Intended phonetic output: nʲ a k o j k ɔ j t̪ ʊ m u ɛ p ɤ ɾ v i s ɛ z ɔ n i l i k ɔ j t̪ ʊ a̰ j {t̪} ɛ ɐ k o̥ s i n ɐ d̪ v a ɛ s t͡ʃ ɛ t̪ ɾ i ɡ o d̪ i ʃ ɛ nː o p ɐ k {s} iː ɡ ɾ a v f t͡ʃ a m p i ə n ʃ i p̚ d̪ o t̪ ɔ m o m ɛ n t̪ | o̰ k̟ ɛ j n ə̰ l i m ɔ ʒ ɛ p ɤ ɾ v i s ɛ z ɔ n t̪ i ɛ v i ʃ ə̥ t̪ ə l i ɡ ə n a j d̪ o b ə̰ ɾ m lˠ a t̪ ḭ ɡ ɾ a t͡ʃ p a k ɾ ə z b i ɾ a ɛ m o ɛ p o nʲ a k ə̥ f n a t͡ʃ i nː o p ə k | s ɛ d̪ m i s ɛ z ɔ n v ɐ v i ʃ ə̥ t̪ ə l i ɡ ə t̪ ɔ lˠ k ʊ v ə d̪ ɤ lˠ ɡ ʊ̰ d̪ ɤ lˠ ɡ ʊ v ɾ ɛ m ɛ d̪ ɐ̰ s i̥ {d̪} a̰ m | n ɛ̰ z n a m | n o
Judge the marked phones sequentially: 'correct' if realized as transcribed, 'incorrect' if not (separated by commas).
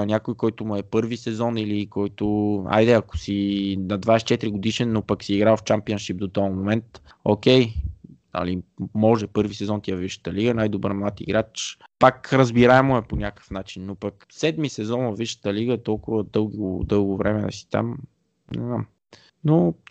incorrect, correct, incorrect